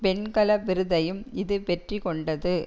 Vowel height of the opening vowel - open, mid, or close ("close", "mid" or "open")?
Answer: mid